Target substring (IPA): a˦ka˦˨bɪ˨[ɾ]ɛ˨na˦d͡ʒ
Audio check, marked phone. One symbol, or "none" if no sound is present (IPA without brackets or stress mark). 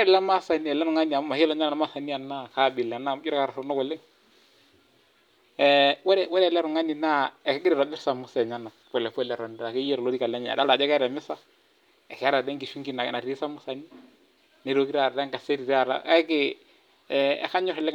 l